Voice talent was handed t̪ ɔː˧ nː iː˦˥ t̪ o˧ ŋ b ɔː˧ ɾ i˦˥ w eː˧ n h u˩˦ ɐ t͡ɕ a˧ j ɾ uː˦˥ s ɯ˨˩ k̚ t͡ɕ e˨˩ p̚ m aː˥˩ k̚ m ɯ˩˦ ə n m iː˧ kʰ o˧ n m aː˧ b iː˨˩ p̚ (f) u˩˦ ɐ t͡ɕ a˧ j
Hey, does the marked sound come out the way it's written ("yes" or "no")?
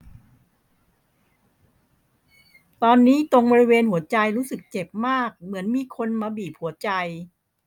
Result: no